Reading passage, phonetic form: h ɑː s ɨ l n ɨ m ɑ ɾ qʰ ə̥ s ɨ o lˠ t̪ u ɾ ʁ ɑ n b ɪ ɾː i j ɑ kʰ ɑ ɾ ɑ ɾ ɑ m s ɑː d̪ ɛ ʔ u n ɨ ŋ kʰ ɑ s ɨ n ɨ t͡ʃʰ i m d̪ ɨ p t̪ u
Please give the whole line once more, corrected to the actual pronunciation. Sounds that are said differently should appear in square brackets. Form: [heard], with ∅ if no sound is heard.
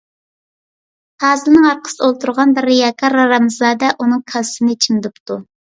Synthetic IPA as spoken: h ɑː [z] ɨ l n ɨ [ŋ] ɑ ɾ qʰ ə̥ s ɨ o lˠ t̪ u ɾ ʁ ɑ n b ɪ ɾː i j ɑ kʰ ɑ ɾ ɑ ɾ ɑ m [z] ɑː d̪ ɛ ʔ u n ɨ ŋ kʰ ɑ s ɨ n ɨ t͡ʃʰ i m d̪ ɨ p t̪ u